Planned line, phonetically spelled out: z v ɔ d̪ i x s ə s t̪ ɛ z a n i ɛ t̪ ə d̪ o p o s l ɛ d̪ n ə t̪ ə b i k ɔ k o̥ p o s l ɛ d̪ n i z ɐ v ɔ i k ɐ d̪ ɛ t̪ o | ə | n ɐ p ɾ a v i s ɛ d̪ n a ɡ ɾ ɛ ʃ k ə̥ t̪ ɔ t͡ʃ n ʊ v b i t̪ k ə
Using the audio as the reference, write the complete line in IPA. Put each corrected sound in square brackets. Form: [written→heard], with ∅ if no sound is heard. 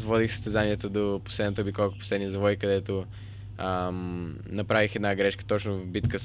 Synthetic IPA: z v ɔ d̪ i x s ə s t̪ ɛ z a n i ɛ t̪ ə d̪ o p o s l ɛ d̪ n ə t̪ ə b i k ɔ k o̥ p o s l ɛ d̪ n i z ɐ v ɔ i k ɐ d̪ ɛ t̪ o | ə | n ɐ p ɾ a v i [s→x] ɛ d̪ n a ɡ ɾ ɛ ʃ k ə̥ t̪ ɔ t͡ʃ n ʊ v b i t̪ k ə